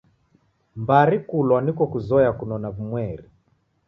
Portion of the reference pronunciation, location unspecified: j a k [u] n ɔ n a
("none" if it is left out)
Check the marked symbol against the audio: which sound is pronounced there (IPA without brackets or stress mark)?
u